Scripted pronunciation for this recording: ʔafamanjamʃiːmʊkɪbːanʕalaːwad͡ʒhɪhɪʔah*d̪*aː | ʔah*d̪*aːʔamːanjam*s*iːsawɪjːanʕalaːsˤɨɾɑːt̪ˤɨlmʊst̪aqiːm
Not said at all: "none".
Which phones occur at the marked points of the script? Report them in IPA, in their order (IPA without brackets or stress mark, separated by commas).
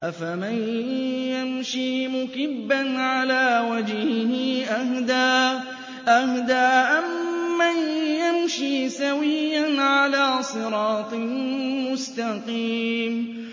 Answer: d̪, d̪, ʃ